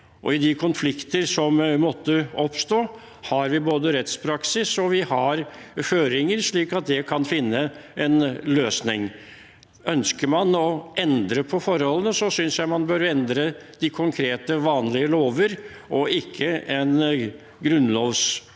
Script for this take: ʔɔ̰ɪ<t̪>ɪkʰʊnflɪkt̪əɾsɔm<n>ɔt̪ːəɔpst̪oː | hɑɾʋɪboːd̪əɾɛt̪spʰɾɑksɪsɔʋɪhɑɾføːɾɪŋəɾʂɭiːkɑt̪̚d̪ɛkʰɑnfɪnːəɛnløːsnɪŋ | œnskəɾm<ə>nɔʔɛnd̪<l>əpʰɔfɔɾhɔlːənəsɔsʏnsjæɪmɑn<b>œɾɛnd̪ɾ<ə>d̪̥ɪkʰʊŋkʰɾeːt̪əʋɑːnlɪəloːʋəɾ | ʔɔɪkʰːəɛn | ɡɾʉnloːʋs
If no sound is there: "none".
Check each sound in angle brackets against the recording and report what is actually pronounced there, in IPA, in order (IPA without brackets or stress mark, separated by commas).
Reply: d̪, m, ɑ, ɾ, b, ə